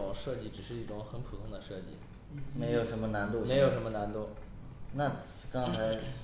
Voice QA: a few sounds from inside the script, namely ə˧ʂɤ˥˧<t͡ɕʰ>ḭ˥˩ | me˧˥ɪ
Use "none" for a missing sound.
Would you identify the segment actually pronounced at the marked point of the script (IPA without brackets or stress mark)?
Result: t͡ɕ